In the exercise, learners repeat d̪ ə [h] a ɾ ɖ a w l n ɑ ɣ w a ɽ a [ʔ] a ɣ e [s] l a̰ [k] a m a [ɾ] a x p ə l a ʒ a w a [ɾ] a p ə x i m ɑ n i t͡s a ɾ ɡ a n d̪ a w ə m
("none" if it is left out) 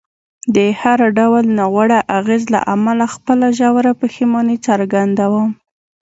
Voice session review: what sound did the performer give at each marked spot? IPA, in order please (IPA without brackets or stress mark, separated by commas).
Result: h, ʔ, z, ʔ, l, ɾ